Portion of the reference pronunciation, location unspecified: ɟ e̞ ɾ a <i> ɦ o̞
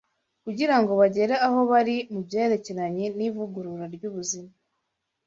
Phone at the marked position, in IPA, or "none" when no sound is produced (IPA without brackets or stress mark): a